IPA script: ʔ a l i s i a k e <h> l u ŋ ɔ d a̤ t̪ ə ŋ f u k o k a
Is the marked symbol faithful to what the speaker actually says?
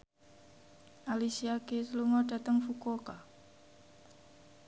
no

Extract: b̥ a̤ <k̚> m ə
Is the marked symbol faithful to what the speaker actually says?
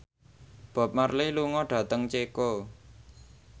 no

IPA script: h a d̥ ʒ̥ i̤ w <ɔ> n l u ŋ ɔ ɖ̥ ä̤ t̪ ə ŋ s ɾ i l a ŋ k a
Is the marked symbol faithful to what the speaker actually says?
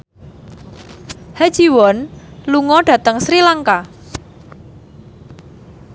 yes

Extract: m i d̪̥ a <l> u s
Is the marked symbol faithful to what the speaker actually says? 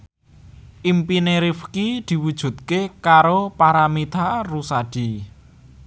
no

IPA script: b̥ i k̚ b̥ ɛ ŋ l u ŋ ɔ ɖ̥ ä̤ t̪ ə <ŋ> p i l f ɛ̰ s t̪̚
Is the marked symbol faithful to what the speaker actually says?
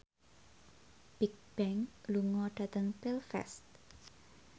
yes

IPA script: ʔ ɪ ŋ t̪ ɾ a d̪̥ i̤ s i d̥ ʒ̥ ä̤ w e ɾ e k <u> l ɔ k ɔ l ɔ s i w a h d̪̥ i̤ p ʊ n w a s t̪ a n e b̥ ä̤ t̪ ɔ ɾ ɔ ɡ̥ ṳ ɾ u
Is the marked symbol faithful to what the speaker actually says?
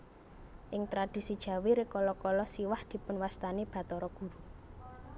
no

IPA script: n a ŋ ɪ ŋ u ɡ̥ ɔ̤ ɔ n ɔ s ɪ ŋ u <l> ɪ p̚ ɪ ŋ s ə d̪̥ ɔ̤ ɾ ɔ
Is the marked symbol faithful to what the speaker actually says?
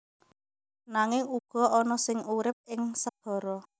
no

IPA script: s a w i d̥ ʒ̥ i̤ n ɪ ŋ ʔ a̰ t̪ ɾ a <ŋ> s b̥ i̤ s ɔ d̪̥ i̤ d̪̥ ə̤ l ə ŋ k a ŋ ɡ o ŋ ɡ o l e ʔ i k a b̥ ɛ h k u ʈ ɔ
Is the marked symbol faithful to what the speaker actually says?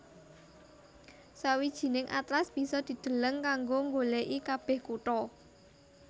no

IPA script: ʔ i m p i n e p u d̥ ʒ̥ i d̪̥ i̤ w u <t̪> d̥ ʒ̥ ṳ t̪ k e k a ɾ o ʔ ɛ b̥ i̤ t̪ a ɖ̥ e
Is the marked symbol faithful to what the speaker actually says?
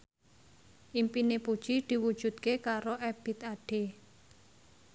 no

